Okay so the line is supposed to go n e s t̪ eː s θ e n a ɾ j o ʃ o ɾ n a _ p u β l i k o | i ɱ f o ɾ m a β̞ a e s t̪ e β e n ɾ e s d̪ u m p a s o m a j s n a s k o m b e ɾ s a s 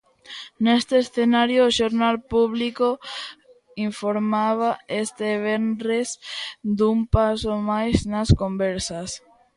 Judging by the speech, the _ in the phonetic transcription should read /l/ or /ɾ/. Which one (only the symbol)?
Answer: l